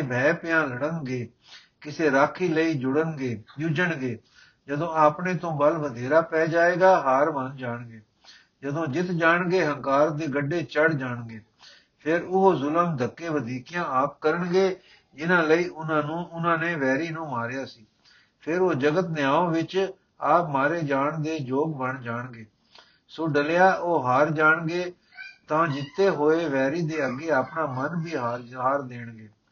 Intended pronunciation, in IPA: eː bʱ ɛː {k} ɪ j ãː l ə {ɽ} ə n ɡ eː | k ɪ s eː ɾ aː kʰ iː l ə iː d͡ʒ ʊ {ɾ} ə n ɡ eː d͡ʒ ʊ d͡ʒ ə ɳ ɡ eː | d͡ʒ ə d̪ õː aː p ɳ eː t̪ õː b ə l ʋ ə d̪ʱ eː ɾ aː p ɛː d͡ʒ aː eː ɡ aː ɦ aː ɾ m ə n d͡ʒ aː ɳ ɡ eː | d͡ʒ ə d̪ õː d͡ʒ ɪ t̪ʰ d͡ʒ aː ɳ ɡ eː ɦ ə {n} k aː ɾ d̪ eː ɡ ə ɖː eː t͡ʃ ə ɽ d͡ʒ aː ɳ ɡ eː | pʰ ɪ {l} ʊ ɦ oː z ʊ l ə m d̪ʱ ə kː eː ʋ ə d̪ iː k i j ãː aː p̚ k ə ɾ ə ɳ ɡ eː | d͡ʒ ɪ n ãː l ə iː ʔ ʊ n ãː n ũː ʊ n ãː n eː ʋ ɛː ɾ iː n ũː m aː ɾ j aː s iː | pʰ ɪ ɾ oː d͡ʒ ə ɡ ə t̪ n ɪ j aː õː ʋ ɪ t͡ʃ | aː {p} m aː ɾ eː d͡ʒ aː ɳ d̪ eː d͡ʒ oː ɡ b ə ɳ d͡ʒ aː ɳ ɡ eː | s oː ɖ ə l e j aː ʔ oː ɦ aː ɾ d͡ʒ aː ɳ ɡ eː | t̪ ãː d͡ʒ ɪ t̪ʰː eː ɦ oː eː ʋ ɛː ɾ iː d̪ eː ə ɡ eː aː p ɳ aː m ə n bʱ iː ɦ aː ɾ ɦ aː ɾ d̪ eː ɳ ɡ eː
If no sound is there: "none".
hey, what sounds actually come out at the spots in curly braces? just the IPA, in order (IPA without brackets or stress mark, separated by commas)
p, ɽ, ɽ, ŋ, ɾ, p